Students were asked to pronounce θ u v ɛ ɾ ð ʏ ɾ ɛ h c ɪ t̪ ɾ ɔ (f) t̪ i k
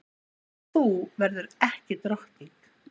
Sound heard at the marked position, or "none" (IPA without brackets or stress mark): h